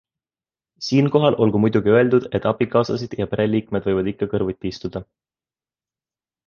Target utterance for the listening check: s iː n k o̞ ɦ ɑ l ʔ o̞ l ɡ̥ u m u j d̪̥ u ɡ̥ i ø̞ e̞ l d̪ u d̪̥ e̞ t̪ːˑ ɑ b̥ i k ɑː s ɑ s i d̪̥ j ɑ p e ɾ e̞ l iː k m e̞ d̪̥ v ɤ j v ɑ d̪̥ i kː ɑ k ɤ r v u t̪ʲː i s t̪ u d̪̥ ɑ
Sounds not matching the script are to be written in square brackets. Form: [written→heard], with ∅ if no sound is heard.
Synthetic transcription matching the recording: s iː n k o̞ ɦ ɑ l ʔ o̞ l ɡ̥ u m u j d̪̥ u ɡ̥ i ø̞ e̞ l d̪ u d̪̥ e̞ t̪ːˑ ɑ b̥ i k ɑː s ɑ s i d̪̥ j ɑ p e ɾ e̞ l iː k m e̞ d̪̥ v ɤ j v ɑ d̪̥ i kː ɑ k ɤ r v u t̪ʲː i s t̪ u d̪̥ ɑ

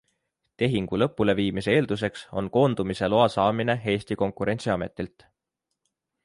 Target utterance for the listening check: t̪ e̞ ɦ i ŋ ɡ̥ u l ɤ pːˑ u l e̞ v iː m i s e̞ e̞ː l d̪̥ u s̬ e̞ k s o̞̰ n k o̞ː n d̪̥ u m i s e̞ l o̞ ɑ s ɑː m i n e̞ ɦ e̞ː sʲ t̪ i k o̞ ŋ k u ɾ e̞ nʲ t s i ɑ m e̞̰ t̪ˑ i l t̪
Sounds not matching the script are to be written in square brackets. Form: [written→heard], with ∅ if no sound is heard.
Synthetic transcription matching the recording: t̪ e̞ ɦ i ŋ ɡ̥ u l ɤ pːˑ u l e̞ v iː m i s e̞ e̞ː l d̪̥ u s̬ e̞ k s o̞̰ n k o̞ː n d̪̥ u m i s e̞ l o̞ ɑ s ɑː m i n e̞ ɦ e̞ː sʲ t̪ i k o̞ ŋ k u ɾ e̞ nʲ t s i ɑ m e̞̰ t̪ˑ i l t̪

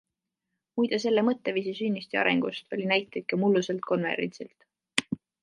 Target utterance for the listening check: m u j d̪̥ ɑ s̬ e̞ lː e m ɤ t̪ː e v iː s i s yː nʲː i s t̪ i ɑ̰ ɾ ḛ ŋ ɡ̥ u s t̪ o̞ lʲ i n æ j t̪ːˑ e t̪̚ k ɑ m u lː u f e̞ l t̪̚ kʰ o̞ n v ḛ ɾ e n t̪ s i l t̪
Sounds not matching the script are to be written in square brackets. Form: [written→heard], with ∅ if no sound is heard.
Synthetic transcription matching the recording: m u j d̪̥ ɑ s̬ e̞ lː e m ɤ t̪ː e v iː s i s [yː→y] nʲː i s t̪ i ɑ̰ ɾ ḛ ŋ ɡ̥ u s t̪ o̞ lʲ i n æ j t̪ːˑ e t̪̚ k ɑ m u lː u [f→s] e̞ l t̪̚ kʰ o̞ n v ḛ ɾ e n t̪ s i l t̪

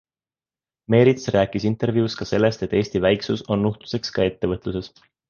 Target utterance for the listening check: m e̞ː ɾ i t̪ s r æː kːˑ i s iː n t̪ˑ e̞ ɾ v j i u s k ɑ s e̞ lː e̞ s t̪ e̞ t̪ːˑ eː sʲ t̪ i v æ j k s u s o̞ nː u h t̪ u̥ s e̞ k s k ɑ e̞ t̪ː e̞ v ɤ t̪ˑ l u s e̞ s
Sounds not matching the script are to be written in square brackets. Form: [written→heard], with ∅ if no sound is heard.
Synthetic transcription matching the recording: m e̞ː ɾ i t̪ s r æː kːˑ i s [iː→i] n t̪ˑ e̞ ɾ v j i u s k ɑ s e̞ lː e̞ s t̪ e̞ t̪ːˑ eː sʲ t̪ i v æ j k s u s o̞ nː u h t̪ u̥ s e̞ k s k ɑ e̞ t̪ː e̞ v ɤ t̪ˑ l u s e̞ s

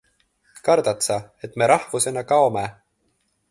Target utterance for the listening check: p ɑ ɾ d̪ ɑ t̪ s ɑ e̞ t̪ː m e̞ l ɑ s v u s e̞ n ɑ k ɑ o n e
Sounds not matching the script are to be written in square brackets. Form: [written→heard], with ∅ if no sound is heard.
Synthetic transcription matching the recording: [p→k] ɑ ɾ d̪ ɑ t̪ s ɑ e̞ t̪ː m e̞ [l→ɾ] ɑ [s→h] v u s e̞ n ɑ k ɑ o [n→m] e

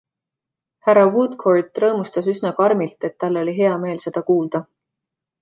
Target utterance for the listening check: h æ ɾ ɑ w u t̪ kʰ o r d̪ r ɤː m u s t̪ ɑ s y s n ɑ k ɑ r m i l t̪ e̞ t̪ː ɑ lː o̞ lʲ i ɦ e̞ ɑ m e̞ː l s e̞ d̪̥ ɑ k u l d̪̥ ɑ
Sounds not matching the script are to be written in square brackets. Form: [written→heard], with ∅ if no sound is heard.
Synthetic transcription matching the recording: h æ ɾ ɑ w u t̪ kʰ o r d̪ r ɤː m u s t̪ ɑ s y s n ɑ k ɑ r m i l t̪ e̞ t̪ː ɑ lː o̞ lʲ i ɦ e̞ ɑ m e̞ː l s e̞ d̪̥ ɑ k [u→uː] l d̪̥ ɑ

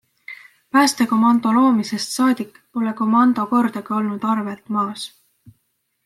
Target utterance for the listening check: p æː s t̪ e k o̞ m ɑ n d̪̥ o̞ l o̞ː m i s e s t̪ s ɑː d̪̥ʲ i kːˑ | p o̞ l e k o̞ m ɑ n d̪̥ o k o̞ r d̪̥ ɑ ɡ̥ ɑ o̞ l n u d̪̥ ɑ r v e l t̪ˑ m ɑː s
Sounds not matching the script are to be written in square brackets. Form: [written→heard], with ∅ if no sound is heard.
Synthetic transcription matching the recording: p æː s t̪ e k o̞ m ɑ n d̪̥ o̞ l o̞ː m i s e s t̪ s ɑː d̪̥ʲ i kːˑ | p o̞ l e k o̞ m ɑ n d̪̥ o k o̞ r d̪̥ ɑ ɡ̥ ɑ o̞ l n u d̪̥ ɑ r v e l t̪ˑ m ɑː s

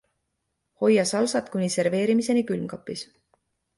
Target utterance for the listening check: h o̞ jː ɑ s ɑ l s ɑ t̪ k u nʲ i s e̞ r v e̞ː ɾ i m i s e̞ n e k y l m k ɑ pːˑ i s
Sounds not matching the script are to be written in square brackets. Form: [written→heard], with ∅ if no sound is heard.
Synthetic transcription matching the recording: h o̞ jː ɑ s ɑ l s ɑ t̪ k u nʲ i s e̞ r v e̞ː ɾ i m i s e̞ n [e→i] k y l m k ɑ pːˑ i s

